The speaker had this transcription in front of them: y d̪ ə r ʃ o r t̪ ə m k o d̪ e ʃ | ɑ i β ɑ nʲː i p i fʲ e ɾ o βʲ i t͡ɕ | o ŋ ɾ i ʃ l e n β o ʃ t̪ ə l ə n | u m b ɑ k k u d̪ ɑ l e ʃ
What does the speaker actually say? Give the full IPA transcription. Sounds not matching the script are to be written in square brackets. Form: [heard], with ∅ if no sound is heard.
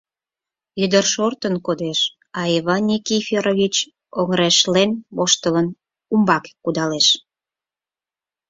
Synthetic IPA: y d̪ ə r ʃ o r t̪ ə [n] k o d̪ e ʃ | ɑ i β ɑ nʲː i [k] i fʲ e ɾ o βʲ i t͡ɕ | o ŋ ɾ [e] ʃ l e n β o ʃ t̪ ə l ə n | u m b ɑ k k u d̪ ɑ l e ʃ